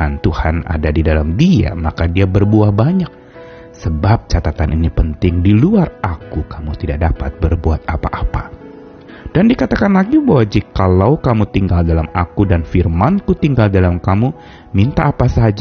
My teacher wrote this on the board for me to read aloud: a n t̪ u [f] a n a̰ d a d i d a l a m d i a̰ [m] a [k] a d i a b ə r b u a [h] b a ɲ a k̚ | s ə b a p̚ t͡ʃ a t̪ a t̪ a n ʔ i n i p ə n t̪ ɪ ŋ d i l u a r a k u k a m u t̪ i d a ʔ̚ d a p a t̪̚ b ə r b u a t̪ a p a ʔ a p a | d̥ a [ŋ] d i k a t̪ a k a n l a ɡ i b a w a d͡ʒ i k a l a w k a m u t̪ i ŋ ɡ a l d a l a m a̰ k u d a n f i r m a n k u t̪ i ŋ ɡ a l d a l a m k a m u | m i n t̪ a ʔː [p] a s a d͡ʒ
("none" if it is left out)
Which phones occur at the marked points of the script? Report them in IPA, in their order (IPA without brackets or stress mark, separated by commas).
h, m, k, h, n, p